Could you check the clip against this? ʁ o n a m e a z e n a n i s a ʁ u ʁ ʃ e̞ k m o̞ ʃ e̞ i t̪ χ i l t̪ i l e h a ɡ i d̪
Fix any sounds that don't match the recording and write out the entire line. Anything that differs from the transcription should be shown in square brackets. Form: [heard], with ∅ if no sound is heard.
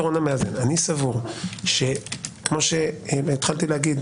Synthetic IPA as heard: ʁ o n a m e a z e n a n i s a [v] u ʁ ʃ e̞ k m o̞ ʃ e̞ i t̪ χ [a] l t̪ i l e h a ɡ i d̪

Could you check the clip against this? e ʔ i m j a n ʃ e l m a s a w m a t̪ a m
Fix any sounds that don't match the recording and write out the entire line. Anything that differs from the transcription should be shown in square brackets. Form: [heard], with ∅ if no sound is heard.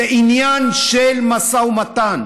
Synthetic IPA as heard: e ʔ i [n] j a n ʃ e l m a s a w m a t̪ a [n]

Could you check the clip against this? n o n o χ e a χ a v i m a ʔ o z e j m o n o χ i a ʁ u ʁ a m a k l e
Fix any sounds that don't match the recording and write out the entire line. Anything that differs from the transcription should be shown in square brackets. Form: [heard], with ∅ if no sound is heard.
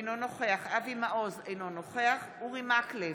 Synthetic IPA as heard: n o n o χ e a χ a v i m a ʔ o z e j [n] o n o χ [e] a [χ] u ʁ [i] m a k l e

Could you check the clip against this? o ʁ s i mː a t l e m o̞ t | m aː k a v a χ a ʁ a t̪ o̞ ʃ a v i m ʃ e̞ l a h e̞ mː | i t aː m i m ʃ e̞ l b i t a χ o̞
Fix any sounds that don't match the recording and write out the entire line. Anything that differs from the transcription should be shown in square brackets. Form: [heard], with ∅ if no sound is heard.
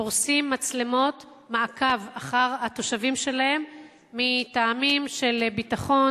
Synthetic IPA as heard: o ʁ s i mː a [t͡s] l e m o̞ t | m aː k a v a χ a ʁ a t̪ o̞ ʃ a v i m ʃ e̞ l a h e̞ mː | i t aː m i m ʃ e̞ l b i t a χ o̞

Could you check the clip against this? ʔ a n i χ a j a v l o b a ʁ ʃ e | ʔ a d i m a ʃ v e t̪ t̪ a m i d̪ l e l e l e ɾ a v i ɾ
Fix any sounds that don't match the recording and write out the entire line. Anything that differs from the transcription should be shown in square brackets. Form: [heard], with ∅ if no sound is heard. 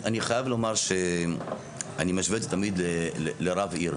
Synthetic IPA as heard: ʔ a n i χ a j a v l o [m] a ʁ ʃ e | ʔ a [n] i m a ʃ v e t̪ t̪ a m i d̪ l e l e l e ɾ a v i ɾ

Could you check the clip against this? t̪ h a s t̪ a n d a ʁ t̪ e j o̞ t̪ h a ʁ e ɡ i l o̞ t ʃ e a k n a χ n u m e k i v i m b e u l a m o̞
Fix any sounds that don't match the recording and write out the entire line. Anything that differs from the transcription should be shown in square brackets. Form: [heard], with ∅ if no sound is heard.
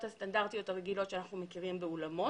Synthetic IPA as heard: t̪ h a s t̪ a n d a ʁ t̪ [i] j o̞ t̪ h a ʁ e ɡ i l o̞ t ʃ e a [∅] n a χ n u m e k i [ʁ] i m b e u l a m o̞

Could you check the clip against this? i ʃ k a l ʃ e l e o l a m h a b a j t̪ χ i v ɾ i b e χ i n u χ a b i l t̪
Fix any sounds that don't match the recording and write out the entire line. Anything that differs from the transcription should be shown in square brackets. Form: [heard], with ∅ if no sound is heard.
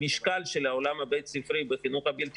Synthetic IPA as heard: i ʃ k a l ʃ e l [a] o l a m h a b [e] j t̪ [s] i [f] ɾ i b e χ i n u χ a b i l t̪

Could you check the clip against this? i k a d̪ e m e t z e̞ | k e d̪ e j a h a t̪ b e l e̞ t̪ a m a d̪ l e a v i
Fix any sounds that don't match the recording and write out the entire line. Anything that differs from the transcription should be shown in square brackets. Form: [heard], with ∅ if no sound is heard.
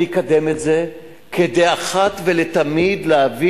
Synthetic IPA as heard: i k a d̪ e m e t z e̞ | k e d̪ e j a [χ] a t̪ [v] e l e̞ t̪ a m [i] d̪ l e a v i

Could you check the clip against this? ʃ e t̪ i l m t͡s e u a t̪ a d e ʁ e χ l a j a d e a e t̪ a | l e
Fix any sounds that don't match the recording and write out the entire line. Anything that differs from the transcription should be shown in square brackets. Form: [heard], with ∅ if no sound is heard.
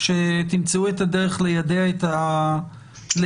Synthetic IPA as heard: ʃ e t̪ i [∅] m t͡s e u [e] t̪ a d e ʁ e χ l [e] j a d e a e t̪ a | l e

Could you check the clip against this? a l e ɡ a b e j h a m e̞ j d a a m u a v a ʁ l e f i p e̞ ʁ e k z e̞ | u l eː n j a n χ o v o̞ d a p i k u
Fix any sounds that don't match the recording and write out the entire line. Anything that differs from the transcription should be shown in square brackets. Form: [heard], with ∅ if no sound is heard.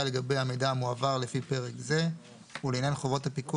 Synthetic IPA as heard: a l e ɡ a b e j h a m e̞ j d a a m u a v a ʁ l e f i p e̞ ʁ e k z e̞ | u l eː n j a n χ o v o̞ [t] a p i k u

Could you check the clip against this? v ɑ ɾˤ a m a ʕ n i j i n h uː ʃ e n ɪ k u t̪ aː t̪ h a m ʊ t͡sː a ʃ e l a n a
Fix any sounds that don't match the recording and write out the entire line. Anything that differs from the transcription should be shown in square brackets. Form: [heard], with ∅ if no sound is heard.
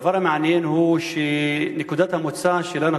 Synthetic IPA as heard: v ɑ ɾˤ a m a ʕ n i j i n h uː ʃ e n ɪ k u [d̪] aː t̪ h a m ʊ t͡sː a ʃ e l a n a

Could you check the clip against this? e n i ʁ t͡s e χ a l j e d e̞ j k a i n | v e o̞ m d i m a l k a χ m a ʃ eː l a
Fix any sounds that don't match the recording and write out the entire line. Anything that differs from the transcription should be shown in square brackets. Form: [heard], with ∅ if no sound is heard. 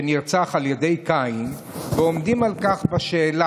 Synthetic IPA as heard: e n i ʁ t͡s [a] χ a l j e d e̞ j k a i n | v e o̞ m d i m a l k a χ [b] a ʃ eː l a

